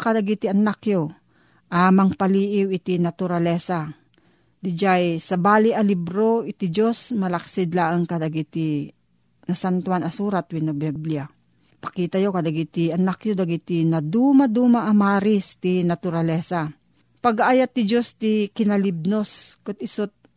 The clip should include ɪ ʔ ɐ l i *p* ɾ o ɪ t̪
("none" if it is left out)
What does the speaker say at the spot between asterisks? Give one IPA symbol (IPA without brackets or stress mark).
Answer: b